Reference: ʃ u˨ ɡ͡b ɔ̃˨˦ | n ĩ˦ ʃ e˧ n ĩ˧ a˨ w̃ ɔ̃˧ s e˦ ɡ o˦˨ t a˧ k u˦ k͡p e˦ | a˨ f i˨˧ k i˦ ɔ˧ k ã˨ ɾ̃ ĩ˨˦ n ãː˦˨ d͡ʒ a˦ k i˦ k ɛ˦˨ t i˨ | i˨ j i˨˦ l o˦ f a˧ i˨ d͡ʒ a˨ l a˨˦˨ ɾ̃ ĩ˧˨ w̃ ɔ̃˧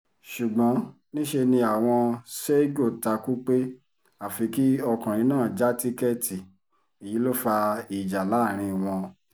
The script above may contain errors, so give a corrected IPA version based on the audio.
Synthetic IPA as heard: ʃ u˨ ɡ͡b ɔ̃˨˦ | n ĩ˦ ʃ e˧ n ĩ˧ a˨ w̃ ɔ̃˧ s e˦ ɡ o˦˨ t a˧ k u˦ k͡p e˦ | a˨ f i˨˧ k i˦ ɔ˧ k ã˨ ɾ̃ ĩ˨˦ n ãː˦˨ d͡ʒ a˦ t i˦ k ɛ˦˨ t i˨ | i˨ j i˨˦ l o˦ f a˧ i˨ d͡ʒ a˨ l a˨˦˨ ɾ̃ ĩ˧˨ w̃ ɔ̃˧

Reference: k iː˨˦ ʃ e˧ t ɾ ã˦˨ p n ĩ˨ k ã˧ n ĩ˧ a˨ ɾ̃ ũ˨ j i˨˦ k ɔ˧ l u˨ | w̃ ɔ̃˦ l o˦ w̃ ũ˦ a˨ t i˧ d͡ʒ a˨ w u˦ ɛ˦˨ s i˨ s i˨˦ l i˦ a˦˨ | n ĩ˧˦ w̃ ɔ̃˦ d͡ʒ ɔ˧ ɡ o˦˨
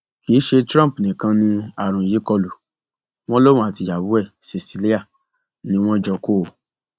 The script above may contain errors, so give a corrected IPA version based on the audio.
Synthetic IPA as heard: k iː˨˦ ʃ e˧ t ɾ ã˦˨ p n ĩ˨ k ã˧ n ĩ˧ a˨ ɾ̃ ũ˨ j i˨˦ k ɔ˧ l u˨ | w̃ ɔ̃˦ l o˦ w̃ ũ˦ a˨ t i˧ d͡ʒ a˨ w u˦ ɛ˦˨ s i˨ s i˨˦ l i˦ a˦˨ | n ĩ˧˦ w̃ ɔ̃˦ d͡ʒ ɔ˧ k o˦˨

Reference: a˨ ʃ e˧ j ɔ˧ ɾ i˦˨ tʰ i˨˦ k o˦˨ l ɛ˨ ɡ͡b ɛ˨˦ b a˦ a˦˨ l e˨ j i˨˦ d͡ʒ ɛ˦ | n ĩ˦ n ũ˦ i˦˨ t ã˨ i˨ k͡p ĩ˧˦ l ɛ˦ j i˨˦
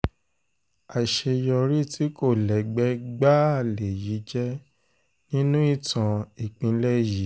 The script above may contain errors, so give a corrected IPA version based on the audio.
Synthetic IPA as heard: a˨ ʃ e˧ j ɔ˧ ɾ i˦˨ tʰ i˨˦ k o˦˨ l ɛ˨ ɡ͡b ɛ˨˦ ɡ͡b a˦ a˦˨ l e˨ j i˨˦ d͡ʒ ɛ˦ | n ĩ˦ n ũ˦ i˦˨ t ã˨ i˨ k͡p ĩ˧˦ l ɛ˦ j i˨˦

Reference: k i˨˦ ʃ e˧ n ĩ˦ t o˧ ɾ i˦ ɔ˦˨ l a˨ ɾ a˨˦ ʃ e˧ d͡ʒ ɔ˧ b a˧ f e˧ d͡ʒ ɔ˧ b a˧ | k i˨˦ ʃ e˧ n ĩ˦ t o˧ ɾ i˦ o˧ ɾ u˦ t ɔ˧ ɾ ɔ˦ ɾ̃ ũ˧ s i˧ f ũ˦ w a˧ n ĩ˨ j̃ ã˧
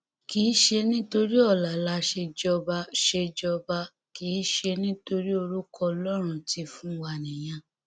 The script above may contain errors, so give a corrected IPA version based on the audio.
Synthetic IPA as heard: k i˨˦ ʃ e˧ n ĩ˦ t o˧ ɾ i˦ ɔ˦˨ l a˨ l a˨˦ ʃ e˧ d͡ʒ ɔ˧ b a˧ ʃ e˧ d͡ʒ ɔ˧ b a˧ | k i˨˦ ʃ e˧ n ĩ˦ t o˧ ɾ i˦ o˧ ɾ u˦ k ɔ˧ l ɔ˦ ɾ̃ ũ˧ t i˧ f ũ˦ w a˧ n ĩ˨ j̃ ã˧

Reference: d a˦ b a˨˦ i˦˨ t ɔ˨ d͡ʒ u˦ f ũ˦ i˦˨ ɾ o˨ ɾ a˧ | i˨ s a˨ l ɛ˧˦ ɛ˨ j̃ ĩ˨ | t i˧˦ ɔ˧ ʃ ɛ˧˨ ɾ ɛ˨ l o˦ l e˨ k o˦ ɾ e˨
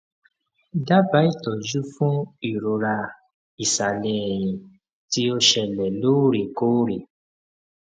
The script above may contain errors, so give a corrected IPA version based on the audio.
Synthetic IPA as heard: d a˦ b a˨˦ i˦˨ t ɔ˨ d͡ʒ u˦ f ũ˦ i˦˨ ɾ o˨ ɾ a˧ | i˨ s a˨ l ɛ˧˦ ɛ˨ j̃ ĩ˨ | t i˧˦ o˧ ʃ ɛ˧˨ l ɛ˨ l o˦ ɾ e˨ k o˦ ɾ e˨

